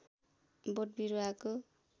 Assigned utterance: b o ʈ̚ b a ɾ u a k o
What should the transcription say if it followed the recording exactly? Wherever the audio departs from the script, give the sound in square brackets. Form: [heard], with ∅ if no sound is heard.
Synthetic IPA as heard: b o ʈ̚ b [i] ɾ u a k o